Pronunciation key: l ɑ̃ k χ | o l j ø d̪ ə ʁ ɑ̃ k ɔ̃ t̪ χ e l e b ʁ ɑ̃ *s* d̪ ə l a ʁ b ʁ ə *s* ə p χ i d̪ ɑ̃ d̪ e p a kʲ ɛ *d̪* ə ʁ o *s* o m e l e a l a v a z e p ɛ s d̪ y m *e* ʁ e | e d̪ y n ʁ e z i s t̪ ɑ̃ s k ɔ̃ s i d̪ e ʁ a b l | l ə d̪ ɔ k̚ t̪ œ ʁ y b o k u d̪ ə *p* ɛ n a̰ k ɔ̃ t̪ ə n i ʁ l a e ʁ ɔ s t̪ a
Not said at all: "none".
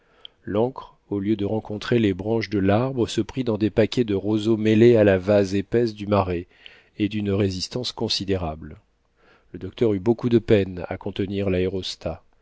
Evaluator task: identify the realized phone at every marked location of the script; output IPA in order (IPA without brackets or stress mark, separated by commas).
ʃ, s, d̪, z, a, p